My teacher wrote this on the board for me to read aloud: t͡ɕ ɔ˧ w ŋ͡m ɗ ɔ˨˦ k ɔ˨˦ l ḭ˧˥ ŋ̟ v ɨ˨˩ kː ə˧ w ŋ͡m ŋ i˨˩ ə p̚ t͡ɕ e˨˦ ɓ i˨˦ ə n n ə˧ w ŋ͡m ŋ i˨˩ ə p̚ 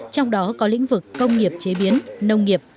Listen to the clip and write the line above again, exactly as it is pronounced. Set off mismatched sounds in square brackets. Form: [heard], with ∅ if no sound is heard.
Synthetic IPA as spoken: t͡ɕ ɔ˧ w ŋ͡m ɗ ɔ˨˦ k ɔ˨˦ l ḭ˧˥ ŋ̟ v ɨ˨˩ kː ə˧ w ŋ͡m ŋ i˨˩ ə p̚ t͡ɕ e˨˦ ɓ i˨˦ ə n n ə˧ w ŋ͡m ŋ i˨˩ ə p̚

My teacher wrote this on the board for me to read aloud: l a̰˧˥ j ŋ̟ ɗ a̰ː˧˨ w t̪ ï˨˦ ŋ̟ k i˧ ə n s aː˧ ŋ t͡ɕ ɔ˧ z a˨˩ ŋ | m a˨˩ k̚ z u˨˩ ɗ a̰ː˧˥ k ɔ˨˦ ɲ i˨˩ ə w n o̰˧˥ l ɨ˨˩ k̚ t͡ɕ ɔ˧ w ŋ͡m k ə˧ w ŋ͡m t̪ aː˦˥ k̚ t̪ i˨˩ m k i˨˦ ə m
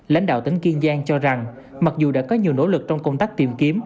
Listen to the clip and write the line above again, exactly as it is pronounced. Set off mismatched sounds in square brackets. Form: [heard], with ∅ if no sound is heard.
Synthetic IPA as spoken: l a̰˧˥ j ŋ̟ ɗ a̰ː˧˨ w t̪ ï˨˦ ŋ̟ k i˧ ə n [z] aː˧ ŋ t͡ɕ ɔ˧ z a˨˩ ŋ | m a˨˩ k̚ z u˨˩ ɗ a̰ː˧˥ k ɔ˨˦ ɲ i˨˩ ə w n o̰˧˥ l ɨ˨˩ k̚ t͡ɕ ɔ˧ w ŋ͡m k ə˧ w ŋ͡m t̪ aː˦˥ k̚ t̪ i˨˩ m k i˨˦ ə m

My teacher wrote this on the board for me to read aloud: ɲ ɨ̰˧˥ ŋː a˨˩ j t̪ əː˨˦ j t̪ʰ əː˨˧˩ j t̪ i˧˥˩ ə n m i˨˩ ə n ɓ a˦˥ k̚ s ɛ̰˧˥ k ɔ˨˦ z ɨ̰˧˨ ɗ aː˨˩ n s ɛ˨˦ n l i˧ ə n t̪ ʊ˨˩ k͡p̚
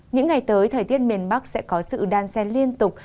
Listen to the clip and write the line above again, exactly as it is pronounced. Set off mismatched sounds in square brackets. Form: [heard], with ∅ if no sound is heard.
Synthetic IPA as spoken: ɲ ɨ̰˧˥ ŋː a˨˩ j t̪ əː˨˦ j t̪ʰ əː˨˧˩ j t̪ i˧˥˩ ə n m i˨˩ ə n ɓ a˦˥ k̚ s ɛ̰˧˥ k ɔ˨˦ [s] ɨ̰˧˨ ɗ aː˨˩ n s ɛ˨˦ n l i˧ ə n t̪ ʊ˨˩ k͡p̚

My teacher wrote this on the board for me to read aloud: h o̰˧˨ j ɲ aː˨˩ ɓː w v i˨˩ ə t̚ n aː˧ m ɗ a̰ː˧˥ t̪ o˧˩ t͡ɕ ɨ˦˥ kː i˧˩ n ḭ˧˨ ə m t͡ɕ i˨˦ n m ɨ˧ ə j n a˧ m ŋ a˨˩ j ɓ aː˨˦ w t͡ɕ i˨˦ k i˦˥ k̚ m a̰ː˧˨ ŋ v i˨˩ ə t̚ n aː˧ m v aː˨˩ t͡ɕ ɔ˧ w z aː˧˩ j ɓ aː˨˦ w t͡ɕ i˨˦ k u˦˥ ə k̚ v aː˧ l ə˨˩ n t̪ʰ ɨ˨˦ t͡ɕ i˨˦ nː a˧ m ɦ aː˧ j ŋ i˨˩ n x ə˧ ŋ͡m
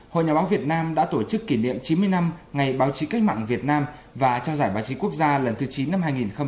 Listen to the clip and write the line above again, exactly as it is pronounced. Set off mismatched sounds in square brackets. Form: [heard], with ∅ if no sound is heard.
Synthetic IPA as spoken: h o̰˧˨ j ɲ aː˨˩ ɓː w v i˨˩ ə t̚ n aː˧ m ɗ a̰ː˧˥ t̪ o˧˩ t͡ɕ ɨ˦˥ kː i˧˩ n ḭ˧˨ ə m t͡ɕ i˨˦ n m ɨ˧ ə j n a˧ m ŋ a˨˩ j ɓ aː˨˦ w t͡ɕ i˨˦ k [a˦˥] k̚ m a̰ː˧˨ ŋ v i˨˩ ə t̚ n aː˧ m v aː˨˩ t͡ɕ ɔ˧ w z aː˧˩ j ɓ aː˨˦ w t͡ɕ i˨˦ k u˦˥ ə k̚ [z] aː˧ l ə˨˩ n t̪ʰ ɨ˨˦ t͡ɕ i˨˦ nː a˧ m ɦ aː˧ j ŋ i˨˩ n x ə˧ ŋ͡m

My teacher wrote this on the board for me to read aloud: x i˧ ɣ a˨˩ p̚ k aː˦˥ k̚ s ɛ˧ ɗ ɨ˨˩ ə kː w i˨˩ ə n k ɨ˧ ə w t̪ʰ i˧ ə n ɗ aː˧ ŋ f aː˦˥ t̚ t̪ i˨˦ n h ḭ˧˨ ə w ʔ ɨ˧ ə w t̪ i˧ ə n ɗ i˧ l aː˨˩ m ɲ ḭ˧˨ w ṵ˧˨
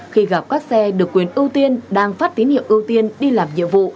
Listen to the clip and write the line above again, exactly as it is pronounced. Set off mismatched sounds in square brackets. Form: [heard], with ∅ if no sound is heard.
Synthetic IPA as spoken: x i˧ ɣ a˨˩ p̚ k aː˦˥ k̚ s ɛ˧ ɗ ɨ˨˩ ə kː w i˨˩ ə n [ʔ] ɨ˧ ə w [t̪] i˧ ə n ɗ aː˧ ŋ f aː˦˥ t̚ t̪ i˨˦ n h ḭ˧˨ ə w ʔ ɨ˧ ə w t̪ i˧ ə n ɗ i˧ l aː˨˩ m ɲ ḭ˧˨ [v] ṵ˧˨

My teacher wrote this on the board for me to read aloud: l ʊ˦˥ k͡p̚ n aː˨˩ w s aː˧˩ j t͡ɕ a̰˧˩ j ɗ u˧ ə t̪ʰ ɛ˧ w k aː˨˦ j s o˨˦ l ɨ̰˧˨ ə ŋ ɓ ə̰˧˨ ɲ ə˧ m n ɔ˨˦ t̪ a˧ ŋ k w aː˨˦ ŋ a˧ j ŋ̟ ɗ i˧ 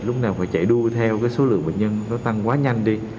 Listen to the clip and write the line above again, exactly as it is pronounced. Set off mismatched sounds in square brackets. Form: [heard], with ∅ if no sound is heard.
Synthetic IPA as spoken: l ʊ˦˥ k͡p̚ n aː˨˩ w [f] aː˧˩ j t͡ɕ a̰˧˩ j ɗ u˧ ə t̪ʰ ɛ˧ w k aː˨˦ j s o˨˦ l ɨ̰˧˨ ə ŋ ɓ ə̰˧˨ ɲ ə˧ [n] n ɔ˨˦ t̪ a˧ ŋ k w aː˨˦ [ɲ] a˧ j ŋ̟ ɗ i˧

